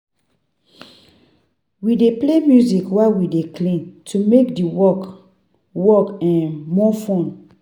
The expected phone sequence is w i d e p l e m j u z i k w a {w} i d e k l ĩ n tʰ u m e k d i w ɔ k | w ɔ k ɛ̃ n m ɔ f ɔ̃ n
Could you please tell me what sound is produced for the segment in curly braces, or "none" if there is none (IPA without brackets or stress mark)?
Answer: w